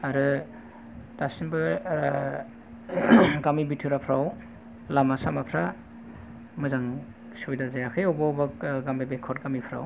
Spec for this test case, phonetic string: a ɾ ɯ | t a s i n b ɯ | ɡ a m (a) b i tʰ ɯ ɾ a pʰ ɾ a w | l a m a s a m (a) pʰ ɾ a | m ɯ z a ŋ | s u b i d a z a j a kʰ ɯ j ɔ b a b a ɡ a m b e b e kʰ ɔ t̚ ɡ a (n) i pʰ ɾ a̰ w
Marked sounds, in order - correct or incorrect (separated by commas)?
incorrect, correct, incorrect